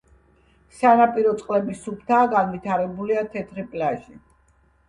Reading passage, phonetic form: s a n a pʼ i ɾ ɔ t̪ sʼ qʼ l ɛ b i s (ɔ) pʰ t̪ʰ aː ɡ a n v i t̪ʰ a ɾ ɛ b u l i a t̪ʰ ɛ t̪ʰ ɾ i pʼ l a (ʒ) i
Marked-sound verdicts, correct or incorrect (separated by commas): incorrect, correct